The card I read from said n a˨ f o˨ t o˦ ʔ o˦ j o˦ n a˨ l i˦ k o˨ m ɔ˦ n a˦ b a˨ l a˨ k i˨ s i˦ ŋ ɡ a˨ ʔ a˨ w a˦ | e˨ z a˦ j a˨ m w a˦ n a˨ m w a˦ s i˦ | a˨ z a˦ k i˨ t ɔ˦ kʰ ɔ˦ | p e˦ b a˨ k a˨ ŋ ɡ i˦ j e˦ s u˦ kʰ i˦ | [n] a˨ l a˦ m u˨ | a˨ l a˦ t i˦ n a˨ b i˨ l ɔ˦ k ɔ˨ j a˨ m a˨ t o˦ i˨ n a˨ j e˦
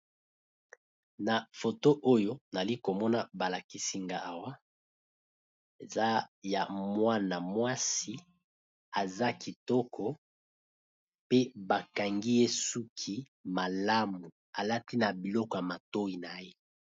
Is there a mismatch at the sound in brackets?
yes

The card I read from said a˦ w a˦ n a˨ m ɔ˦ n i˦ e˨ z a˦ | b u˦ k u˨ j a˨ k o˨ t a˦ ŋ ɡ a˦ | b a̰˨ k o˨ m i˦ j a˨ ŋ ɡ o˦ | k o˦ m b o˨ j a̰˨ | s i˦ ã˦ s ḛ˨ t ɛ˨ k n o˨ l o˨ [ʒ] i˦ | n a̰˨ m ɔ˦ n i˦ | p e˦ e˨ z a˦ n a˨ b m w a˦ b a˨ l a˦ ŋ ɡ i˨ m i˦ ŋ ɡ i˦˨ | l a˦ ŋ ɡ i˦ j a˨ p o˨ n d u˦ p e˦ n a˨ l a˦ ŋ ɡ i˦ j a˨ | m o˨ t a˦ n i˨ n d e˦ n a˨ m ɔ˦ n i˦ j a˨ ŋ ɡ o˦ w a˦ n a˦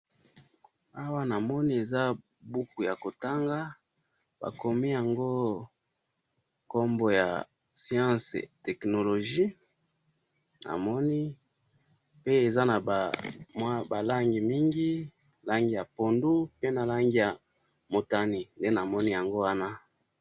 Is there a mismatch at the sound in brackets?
no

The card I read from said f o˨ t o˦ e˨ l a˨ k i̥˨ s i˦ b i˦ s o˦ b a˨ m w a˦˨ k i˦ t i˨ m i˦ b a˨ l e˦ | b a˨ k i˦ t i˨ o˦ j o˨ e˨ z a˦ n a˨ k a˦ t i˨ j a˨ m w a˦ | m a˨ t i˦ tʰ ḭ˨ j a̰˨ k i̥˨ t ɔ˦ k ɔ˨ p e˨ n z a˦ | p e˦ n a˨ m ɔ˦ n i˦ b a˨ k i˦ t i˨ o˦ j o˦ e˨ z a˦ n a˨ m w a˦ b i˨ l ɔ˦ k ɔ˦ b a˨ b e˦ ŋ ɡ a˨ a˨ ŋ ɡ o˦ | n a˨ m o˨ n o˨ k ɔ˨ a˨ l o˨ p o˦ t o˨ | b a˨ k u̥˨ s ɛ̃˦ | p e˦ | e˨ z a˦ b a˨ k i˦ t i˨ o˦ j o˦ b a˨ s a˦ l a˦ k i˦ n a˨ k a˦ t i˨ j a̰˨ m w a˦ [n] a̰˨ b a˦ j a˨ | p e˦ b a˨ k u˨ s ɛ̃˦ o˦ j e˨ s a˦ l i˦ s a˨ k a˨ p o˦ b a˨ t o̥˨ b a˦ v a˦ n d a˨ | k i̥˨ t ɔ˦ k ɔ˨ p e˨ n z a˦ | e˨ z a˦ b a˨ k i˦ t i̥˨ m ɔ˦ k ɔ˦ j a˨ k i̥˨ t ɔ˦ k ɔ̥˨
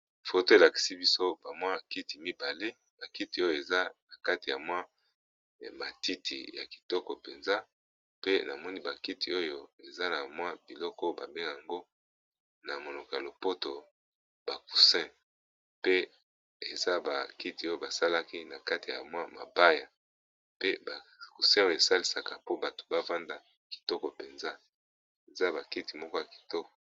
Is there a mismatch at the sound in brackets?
yes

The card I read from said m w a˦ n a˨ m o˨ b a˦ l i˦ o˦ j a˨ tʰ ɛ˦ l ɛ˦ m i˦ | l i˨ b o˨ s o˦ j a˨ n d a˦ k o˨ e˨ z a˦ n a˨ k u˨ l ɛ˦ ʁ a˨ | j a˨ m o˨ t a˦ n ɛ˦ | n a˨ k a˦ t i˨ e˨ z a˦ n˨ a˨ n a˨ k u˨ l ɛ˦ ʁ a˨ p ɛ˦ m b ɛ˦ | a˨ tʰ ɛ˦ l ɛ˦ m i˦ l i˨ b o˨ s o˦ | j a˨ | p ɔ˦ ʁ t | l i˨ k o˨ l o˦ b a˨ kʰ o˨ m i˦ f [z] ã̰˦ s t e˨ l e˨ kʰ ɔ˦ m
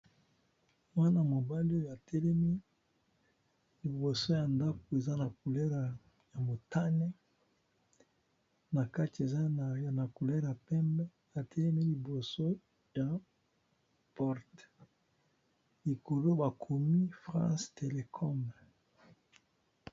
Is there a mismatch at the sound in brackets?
yes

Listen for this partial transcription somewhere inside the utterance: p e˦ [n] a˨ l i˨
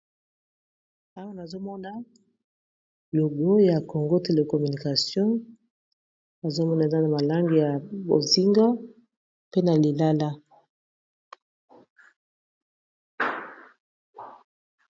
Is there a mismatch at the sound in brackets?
no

